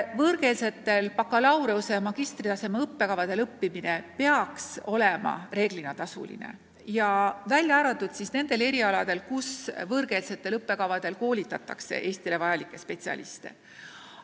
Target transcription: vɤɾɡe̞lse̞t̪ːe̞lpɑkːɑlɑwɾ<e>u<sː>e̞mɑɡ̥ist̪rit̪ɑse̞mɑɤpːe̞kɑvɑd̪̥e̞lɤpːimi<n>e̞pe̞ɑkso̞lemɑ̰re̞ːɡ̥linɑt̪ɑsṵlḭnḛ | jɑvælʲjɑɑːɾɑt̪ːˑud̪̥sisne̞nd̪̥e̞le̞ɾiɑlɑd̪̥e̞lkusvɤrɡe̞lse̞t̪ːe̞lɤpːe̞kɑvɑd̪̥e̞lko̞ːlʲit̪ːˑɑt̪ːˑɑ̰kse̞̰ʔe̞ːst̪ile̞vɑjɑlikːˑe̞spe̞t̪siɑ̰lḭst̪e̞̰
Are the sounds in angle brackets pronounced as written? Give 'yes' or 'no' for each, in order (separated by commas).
yes, no, yes